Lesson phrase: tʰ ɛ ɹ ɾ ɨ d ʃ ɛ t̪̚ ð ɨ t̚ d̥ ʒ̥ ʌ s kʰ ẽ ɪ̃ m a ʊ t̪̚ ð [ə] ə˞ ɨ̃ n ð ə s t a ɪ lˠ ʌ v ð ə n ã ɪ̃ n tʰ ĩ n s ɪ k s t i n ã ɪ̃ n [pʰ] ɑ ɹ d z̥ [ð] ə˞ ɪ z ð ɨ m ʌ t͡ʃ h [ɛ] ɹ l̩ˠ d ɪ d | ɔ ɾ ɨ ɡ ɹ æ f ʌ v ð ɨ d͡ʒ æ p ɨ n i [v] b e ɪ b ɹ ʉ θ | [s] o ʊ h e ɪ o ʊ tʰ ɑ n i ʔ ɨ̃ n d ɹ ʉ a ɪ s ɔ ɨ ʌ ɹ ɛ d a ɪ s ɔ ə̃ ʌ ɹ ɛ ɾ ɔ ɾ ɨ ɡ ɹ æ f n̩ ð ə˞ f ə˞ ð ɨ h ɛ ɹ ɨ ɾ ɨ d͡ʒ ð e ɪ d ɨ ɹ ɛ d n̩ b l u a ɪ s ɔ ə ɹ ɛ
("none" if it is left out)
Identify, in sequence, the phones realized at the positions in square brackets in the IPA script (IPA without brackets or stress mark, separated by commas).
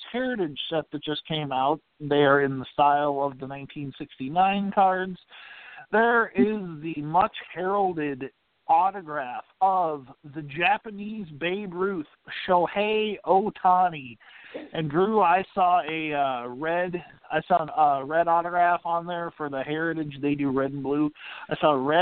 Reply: ə, kʰ, ð, ɛ, z, ʃ